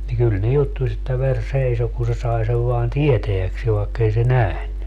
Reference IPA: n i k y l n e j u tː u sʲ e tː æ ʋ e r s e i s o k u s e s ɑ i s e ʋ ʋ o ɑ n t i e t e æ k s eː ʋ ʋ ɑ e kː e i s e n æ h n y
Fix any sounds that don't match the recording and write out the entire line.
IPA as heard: n i k y l n e j u tː u sʲ e tː æ ʋ e r s e i s o k u s e s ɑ i s e ʋ ʋ o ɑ n t i e t e æ k s eː ʋ ʋ ɑ e kː e i s e n æ h n y

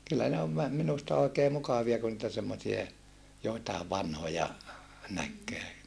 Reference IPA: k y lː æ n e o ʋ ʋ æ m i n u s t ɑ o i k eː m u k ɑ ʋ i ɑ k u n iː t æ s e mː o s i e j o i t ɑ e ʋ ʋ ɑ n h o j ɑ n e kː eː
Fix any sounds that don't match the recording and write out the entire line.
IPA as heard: k y lː æ n e o ʋ ʋ æ m i n u s t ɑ o i k eː m u k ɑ ʋ i ɑ k u n iː t æ s e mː o s i e j o i t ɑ e ʋ ʋ ɑ n h o j ɑ n æ kː eː

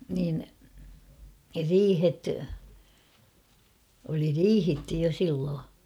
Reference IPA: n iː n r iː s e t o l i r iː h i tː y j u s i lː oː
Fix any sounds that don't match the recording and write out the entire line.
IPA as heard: n iː n r iː h e t o l i r iː h i tː y j o s i lː oː

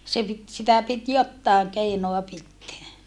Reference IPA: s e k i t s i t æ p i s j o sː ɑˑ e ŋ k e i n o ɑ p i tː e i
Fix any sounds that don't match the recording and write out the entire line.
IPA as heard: s e p i t s i t æ p i t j o tː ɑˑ e ŋ k e i n o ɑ p i tː e æ

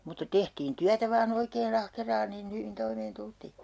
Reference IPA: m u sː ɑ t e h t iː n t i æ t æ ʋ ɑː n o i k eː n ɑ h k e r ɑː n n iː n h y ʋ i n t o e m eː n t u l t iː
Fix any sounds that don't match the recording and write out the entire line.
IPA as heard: m u tː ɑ t e h t iː n t y æ t æ ʋ ɑː n o i k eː n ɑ h k e r ɑː n n iː n h y ʋ i n t o i m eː n t u l t iː

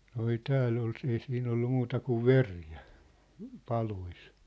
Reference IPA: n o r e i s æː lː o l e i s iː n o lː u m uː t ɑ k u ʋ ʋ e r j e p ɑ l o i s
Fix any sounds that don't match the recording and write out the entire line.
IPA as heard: n o e i t æː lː o l e i s iː n o lː u m uː t ɑ k u ʋ ʋ e r j æ p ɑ l o i s

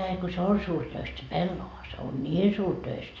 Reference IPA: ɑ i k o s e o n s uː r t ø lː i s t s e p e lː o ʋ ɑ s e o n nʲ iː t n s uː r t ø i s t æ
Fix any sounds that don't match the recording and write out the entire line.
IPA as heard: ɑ i k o s e o n s uː r t ø i s t s e p e lː o ʋ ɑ s e o n nʲ iː n s uː r t ø i s t æ

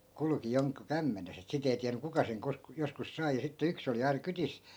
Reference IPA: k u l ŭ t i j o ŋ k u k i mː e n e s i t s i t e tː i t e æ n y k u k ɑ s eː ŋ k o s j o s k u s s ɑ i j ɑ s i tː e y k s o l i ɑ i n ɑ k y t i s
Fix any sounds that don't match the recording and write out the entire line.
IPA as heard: k u l ŭ k i j o ŋ k u k æ mː e n e s e t s i t e i t i æ n y k u k ɑ s e ŋ k o s j o s k u s s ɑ i j ɑ s i tː e y k s o l i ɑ i n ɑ k y t i s

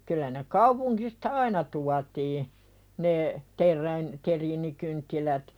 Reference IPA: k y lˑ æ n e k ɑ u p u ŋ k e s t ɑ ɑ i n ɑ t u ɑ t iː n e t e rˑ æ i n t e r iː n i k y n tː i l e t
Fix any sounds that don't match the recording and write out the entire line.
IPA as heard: k y lˑ æ n e k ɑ u p u ŋ k i s t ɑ ɑ i n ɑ t u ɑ t iː n e t e rˑ æ i n t e r iː n i k y n tː i l æ t

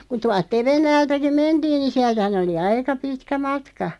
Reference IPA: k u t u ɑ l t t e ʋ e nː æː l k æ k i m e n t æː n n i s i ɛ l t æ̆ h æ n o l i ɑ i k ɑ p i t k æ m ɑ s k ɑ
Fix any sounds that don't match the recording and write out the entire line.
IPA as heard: k u t u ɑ l t t e ʋ e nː æː l t æ k i m e n t iː n n i s i æ l t æ̆ h æ n o l i ɑ i k ɑ p i t k æ m ɑ t k ɑ

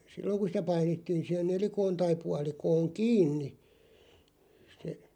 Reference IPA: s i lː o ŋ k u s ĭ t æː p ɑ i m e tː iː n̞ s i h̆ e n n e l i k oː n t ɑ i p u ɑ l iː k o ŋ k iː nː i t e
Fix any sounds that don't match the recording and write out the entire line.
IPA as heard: s i lː o ŋ k u s ĭ t æ p ɑ i n e tː iː n̞ s i h̆ e n n e l i k oː n t ɑ i p u ɑ l i k oː ŋ k iː nː i s e

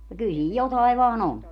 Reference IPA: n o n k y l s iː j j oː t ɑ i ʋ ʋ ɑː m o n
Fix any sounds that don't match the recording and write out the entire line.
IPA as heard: n o k y l s iː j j o t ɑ i ʋ ʋ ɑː n o n

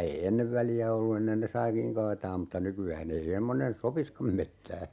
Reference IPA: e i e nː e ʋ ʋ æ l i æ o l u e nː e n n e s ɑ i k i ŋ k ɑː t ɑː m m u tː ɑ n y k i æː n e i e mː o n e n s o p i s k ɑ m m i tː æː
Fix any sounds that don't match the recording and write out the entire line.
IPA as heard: e i e nː e ʋ ʋ æ l i æ o lː u e nː e n n e s ɑ i k i ŋ k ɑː t ɑː m m u tː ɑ n y k y æː n e i e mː o n e n s o p i s k ɑ m m e tː æː

